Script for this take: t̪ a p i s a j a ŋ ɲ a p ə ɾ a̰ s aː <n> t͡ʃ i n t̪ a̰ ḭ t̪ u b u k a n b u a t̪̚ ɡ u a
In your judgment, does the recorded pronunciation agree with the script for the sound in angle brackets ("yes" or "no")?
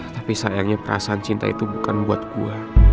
yes